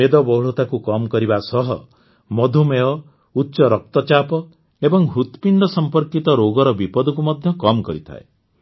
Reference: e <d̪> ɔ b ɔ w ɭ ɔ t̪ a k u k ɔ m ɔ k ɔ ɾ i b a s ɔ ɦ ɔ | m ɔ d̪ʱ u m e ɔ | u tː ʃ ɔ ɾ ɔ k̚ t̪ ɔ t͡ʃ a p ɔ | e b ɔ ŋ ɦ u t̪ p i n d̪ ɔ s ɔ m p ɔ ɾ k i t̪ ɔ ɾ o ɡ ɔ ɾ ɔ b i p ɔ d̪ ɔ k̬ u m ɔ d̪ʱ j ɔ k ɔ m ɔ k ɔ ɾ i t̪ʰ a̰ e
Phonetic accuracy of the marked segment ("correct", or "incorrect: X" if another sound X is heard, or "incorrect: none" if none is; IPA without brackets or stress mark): correct